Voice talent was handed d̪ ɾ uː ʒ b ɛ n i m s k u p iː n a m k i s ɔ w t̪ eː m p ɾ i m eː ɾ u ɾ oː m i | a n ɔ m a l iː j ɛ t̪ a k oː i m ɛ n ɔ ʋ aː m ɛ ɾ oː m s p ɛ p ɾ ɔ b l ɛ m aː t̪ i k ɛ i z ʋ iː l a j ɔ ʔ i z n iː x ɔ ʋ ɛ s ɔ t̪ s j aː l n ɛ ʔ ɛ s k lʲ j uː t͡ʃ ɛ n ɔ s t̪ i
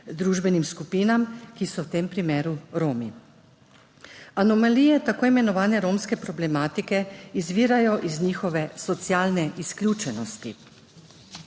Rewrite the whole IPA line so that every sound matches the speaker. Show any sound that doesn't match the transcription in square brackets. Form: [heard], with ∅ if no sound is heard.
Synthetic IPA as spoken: d̪ ɾ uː ʒ b ɛ n i m s k u p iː n a m k i s ɔ w t̪ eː m p ɾ i m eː ɾ u ɾ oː m i | a n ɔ m a l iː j ɛ t̪ a k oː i m ɛ n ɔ ʋ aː [n] ɛ ɾ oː m s [k] ɛ p ɾ ɔ b l ɛ m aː t̪ i k ɛ i z ʋ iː [ɾ] a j ɔ ʔ i z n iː x ɔ ʋ ɛ s ɔ t̪ s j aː l n ɛ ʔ [i] s k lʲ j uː t͡ʃ ɛ n ɔ s t̪ i